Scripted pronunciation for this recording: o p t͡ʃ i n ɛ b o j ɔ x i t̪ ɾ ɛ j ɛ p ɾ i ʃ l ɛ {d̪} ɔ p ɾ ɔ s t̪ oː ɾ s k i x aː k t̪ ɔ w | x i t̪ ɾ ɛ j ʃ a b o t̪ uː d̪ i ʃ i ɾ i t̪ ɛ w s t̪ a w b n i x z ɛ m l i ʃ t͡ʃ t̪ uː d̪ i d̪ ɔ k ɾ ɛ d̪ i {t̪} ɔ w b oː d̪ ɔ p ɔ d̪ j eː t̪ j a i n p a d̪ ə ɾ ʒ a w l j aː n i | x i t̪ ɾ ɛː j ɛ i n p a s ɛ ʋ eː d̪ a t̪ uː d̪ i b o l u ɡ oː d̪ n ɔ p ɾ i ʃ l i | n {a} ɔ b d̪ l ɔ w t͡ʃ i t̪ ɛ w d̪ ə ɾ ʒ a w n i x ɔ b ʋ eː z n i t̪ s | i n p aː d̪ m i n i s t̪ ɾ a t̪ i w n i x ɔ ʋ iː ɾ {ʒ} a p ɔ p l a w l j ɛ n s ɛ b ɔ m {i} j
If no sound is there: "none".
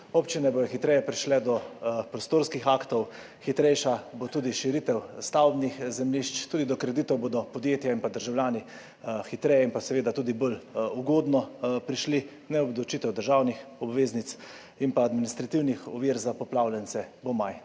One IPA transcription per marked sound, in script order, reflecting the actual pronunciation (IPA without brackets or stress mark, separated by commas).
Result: d̪, t̪, ɛ, z, a